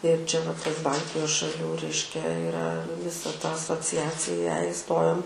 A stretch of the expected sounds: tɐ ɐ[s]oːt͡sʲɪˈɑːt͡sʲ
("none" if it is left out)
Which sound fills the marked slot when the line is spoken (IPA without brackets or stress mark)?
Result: s